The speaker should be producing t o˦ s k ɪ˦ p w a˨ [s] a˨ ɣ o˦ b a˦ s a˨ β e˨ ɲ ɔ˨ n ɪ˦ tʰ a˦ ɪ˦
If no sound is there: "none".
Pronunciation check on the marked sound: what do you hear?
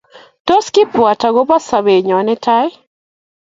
t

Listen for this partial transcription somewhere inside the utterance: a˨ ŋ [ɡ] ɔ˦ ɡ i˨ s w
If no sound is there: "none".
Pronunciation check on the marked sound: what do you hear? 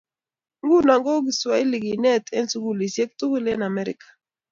ɡ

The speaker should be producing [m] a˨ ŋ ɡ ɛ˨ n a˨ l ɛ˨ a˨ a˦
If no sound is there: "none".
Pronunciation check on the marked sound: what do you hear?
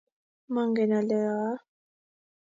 m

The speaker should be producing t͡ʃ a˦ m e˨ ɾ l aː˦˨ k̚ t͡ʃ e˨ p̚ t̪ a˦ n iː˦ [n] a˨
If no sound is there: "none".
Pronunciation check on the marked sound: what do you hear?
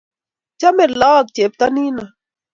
n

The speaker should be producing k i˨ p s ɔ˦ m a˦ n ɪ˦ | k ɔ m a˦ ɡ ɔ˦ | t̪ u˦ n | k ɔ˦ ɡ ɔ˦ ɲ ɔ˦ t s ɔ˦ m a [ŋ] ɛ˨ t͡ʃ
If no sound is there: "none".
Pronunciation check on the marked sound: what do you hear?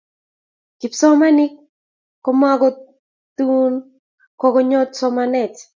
n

